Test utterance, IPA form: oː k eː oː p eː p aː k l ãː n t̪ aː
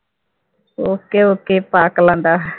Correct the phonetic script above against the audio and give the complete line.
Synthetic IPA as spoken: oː k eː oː k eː p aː k l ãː n d̪ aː